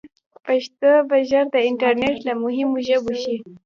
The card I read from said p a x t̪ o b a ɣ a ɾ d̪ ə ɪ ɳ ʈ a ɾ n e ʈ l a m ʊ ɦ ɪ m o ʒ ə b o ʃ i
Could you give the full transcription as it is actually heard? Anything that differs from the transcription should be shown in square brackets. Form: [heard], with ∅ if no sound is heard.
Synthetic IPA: p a [ʃ] t̪ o b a [ʒ] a ɾ d̪ ə ɪ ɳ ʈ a ɾ n e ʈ l a m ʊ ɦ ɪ m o ʒ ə b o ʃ i